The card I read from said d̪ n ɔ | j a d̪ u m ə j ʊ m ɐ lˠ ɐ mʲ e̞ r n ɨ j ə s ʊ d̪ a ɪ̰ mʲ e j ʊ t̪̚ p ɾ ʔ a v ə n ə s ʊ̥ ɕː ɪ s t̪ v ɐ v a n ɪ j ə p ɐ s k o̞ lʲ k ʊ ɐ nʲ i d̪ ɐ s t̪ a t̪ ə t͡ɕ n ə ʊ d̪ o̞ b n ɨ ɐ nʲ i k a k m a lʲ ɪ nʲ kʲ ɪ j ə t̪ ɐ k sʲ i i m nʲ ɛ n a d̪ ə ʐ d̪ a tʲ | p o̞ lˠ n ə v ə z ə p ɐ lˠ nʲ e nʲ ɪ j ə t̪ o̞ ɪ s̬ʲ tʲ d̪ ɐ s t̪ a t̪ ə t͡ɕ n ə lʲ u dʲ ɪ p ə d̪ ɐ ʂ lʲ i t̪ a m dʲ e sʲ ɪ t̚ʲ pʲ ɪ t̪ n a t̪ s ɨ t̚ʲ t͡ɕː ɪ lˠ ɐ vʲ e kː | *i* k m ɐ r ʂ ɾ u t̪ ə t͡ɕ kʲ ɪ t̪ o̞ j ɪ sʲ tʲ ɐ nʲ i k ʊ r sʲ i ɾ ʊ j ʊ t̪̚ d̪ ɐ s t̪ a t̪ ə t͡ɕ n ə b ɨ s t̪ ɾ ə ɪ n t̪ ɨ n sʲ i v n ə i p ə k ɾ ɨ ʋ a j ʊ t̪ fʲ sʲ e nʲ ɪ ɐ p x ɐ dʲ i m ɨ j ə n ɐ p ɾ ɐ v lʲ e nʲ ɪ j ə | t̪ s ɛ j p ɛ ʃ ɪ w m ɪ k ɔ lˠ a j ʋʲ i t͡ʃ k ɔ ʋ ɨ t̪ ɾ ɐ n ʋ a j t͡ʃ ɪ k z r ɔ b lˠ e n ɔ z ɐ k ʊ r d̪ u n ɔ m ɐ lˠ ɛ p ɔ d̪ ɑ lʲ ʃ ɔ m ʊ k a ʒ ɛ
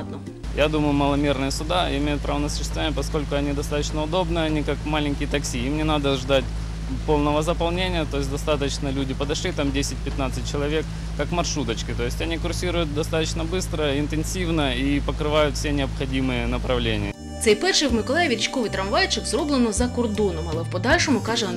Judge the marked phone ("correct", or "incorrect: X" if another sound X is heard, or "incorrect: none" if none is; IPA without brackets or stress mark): incorrect: a